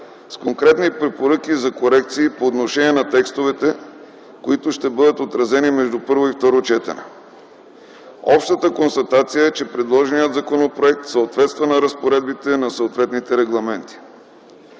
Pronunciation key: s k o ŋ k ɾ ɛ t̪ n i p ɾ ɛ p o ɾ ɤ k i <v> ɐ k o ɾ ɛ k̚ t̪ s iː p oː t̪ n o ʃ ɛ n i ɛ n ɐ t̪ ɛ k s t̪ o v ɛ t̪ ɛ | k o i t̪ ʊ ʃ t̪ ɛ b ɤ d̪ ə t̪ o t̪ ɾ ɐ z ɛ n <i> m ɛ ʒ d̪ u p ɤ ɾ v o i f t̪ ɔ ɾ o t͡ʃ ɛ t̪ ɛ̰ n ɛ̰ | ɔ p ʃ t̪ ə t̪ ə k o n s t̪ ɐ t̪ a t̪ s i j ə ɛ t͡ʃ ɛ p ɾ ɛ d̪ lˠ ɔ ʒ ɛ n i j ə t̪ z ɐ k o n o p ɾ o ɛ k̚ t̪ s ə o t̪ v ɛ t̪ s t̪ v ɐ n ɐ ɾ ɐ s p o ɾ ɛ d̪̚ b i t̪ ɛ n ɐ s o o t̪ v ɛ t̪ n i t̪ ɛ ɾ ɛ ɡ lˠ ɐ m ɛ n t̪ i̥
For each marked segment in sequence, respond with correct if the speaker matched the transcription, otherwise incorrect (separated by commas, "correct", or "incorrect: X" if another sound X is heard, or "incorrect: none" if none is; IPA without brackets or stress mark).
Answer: incorrect: z, correct